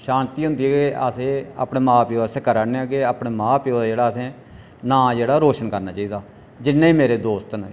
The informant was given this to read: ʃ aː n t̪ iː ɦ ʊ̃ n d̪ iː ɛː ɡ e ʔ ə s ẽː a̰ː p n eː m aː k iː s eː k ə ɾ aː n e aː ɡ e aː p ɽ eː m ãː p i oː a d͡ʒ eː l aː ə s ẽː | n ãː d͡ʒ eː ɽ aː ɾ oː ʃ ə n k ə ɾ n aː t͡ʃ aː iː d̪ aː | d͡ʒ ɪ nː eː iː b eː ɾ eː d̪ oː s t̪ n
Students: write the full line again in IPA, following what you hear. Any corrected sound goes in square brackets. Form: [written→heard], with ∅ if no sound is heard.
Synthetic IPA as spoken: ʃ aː n t̪ iː ɦ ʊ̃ n d̪ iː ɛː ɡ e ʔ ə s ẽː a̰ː p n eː m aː [k→p] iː s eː k ə ɾ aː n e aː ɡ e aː p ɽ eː m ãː p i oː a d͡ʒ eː [l→ɽ] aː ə s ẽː | n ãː d͡ʒ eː ɽ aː ɾ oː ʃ ə n k ə ɾ n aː t͡ʃ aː iː d̪ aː | d͡ʒ ɪ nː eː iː [b→m] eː ɾ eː d̪ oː s t̪ n